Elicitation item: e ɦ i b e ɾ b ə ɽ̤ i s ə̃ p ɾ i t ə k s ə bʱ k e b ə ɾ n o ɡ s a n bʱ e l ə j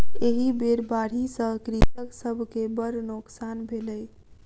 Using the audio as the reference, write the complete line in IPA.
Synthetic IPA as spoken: e ɦ i b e ɾ b a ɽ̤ i s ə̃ k ɾ i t ə k s ə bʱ k e b ə ɾ n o k s a n bʱ e l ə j